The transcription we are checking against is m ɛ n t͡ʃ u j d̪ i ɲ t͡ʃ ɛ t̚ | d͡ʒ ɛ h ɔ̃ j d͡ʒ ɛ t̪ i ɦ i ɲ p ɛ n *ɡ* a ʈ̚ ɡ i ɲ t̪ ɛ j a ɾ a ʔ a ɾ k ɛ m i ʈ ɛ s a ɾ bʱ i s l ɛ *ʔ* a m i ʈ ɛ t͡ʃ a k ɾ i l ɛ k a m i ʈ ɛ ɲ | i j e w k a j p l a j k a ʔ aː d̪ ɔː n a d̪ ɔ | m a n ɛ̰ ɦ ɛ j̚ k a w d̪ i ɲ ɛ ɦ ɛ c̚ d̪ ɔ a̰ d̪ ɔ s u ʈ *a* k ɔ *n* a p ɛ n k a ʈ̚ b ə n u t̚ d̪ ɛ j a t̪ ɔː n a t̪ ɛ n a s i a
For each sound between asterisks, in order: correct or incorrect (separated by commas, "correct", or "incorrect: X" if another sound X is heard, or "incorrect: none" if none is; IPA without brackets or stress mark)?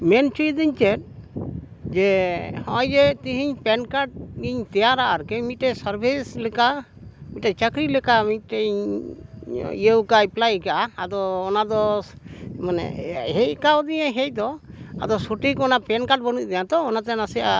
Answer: incorrect: k, incorrect: k, incorrect: i, correct